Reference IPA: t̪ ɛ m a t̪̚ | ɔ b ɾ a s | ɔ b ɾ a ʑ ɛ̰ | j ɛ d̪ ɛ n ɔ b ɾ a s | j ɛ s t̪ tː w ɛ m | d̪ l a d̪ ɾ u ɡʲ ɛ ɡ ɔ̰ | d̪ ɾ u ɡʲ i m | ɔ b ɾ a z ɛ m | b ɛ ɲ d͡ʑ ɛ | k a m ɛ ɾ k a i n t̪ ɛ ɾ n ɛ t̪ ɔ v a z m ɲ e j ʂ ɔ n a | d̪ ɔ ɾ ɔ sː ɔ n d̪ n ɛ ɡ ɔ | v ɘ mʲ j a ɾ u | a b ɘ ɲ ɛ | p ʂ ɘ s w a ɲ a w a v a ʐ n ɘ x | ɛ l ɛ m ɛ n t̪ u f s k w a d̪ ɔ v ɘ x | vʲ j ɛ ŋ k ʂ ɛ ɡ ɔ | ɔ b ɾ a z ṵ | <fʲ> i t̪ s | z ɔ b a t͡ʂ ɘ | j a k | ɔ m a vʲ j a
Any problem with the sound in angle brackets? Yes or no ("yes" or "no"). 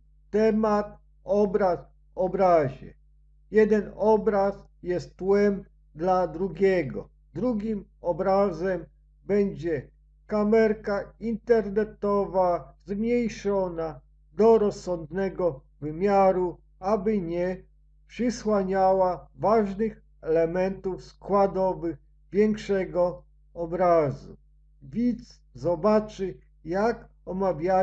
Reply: yes